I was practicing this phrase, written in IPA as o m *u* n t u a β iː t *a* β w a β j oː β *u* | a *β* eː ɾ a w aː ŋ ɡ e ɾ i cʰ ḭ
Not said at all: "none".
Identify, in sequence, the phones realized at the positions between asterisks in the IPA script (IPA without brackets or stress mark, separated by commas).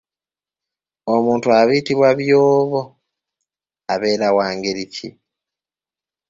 uː, i, o, β